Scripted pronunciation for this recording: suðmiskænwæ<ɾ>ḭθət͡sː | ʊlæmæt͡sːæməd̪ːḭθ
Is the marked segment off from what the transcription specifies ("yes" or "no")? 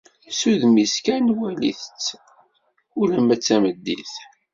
yes